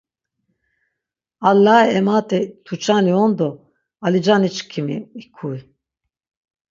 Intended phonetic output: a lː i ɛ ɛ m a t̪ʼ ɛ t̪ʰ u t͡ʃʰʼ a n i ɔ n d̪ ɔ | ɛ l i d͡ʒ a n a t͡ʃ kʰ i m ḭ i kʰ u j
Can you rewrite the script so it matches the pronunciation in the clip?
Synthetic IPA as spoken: a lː a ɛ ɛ m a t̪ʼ ɛ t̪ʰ u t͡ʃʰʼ a n i ɔ n d̪ ɔ | a l i d͡ʒ a n i t͡ʃ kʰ i m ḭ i kʰ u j